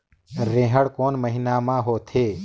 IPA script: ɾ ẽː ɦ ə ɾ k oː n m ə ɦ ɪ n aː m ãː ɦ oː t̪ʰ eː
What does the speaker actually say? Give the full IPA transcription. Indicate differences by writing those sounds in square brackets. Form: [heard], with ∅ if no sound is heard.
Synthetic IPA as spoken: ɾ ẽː ɦ ə [ɽ] k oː n m ə ɦ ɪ n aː m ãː ɦ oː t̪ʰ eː